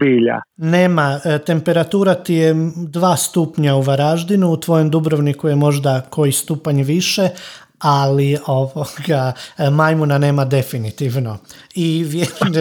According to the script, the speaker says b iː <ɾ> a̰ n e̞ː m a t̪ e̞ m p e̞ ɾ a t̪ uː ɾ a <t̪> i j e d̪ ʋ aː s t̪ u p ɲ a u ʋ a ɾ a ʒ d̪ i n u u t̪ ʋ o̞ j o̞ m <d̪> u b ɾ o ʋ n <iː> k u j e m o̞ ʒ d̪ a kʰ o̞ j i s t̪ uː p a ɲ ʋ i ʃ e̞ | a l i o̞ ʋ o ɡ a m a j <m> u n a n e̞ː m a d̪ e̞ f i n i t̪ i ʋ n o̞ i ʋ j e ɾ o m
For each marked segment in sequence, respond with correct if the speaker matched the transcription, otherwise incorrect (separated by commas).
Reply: incorrect, correct, correct, incorrect, correct